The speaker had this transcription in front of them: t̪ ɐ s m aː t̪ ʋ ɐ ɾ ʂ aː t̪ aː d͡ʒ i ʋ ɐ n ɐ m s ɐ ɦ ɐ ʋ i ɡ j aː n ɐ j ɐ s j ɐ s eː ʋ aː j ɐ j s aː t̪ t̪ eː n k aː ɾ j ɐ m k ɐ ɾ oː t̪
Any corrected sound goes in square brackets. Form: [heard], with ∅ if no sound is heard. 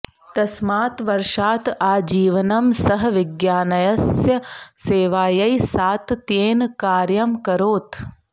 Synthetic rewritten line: t̪ ɐ s m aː t̪ ʋ ɐ ɾ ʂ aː t̪ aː d͡ʒ [iː] ʋ ɐ n ɐ m s ɐ ɦ ɐ ʋ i ɡ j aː n ɐ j ɐ s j ɐ s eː ʋ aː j ɐ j s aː t̪ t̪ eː n k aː ɾ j ɐ m k ɐ ɾ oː t̪